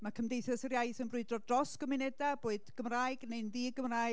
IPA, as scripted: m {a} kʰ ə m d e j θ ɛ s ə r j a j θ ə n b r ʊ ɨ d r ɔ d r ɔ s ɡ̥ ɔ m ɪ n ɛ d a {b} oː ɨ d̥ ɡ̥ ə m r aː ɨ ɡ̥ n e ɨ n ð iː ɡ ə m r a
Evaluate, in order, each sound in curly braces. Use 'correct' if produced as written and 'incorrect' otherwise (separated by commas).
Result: correct, correct